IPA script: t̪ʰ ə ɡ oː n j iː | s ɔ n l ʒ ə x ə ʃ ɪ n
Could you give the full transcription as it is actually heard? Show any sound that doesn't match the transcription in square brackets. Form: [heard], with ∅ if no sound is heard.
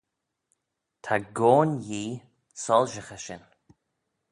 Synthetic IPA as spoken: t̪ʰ [a] ɡ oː n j iː | s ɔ [∅] l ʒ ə x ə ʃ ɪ n